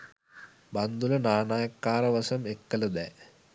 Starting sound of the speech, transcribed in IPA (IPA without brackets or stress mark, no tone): b